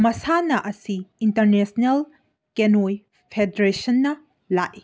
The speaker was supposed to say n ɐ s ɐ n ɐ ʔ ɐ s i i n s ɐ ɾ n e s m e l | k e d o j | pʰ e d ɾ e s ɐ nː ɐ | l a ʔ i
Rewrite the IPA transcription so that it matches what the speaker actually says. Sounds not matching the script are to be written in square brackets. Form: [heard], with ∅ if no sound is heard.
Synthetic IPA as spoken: [m] ɐ s [a] n ɐ ʔ ɐ s i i n [t] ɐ ɾ n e s [n] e l | k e [n] o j | pʰ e d ɾ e s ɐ nː ɐ | l a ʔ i

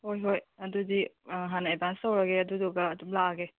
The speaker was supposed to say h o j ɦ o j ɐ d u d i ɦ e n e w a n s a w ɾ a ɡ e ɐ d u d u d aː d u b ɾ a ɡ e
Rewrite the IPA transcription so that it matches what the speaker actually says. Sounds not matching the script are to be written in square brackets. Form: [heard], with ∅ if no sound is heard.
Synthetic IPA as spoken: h o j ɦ o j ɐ d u d i ɦ [a] n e [b] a n s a w ɾ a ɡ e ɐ d u d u [ɡ] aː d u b [l] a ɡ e

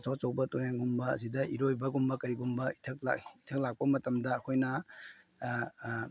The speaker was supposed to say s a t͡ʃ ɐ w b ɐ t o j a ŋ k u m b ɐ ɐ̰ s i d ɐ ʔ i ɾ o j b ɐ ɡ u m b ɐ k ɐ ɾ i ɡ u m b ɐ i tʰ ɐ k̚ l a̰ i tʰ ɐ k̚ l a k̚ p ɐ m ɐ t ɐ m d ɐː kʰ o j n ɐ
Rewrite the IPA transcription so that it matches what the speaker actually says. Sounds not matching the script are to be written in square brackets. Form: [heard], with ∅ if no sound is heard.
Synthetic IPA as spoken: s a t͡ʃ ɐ w b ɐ t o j a ŋ [ɡ] u m b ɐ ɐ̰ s i d ɐ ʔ i ɾ o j b ɐ ɡ u m b ɐ k ɐ ɾ i ɡ u m b ɐ i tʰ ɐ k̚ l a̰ i tʰ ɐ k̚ l a k̚ p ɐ m ɐ t ɐ m d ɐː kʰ o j n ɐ

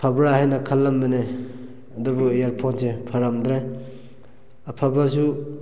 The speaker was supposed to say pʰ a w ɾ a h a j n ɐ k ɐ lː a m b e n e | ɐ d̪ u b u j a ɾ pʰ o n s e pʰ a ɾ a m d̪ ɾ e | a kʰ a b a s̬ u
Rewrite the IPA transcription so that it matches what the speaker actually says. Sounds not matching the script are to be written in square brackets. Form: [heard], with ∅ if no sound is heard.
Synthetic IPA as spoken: pʰ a [b] ɾ a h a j n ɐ [kʰ] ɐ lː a m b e n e | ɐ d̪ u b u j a ɾ pʰ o n s e pʰ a ɾ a m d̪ ɾ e | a [pʰ] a b a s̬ u

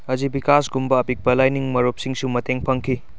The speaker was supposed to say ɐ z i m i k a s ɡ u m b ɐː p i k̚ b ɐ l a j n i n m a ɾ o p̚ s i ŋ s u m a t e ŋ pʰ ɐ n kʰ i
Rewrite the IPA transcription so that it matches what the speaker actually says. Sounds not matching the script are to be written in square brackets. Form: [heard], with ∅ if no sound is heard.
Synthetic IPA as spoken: ɐ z i [b] i k a s ɡ u m b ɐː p i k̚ b ɐ l a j n i [ŋ] m [ɐ] ɾ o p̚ s i ŋ s u m [ɐ] t e ŋ pʰ ɐ [ŋ] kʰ i

